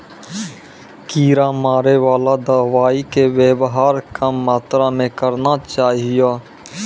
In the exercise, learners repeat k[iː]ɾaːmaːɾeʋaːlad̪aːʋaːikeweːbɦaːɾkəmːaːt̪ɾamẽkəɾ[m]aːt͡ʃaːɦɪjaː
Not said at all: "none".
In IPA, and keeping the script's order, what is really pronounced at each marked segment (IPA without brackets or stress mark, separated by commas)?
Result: iː, n